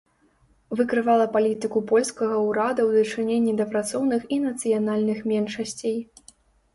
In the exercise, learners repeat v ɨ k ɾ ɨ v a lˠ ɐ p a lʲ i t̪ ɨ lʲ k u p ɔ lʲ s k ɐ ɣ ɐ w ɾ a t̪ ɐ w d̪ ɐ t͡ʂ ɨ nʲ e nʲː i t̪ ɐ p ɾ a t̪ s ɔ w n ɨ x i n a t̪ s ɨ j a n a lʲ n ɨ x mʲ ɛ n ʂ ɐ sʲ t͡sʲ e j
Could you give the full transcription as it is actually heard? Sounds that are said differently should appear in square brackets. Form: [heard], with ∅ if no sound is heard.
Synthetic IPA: v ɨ k ɾ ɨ v a lˠ ɐ p a lʲ i t̪ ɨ [∅] k u p ɔ lʲ s k ɐ ɣ ɐ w ɾ a [d̪] ɐ w d̪ ɐ t͡ʂ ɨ nʲ e nʲː i [d̪] ɐ p ɾ a t̪ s ɔ w n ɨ x i n [ɐ] t̪ s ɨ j a n a lʲ n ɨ x mʲ ɛ n ʂ ɐ sʲ t͡sʲ e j